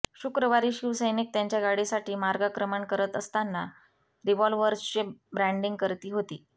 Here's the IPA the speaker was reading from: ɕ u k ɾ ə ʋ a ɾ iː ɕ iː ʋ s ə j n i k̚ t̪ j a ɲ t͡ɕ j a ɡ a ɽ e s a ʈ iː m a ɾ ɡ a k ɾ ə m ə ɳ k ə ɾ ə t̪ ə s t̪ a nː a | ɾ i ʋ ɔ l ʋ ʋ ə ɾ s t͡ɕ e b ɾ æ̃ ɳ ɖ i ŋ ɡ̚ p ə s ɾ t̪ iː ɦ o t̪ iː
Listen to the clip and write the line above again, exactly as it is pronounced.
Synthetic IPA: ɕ u k ɾ ə ʋ a ɾ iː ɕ i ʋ s ə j n i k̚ t̪ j a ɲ t͡ɕ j a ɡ a ɽ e s a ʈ iː m a ɾ ɡ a k ɾ ə m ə ɳ k ə ɾ ə t̪ ə s t̪ a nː a | ɾ i ʋ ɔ l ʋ ʋ ə ɾ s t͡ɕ e b ɾ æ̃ ɳ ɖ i ŋ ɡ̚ k ə ɾ t̪ iː ɦ o t̪ iː